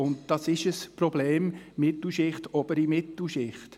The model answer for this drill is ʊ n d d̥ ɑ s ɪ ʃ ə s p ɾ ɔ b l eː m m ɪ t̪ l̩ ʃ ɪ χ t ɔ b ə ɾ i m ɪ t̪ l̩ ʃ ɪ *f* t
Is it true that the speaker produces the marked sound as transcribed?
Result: no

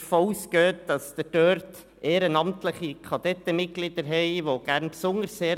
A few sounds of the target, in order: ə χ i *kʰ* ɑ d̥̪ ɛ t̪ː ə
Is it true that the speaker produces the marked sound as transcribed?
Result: yes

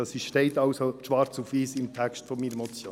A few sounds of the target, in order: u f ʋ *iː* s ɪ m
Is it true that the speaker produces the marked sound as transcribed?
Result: yes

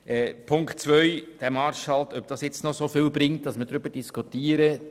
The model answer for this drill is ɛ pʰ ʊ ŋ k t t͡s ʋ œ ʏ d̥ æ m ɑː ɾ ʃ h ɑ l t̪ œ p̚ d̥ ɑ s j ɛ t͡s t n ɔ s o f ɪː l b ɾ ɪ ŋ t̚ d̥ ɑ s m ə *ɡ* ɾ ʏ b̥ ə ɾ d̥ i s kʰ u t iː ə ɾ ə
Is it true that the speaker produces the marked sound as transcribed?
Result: no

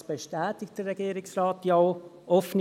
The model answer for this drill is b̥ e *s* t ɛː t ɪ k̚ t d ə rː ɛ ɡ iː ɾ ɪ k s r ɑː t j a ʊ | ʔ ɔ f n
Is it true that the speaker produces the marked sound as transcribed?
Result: no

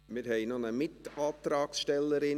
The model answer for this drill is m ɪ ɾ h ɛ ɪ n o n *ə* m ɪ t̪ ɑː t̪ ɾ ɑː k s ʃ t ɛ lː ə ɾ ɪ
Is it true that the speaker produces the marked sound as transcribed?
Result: yes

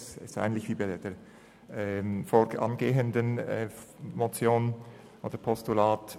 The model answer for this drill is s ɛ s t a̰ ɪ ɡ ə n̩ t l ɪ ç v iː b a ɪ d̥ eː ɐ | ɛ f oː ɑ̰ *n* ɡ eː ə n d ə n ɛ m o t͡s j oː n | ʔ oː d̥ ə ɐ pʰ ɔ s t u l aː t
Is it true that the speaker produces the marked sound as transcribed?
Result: yes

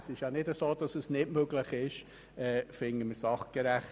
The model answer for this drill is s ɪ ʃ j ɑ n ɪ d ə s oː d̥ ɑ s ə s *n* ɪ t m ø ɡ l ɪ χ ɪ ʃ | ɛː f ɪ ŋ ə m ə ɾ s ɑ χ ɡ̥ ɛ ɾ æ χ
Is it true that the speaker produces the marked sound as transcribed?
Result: yes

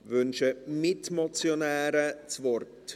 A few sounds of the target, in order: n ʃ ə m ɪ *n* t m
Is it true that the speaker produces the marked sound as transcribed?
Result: no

